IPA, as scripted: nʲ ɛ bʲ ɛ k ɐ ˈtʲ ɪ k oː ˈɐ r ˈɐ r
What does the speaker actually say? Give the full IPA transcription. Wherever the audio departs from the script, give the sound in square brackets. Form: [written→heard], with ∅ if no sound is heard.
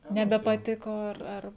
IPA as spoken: nʲ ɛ bʲ ɛ [k→p] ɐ ˈtʲ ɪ k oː ˈɐ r ˈɐ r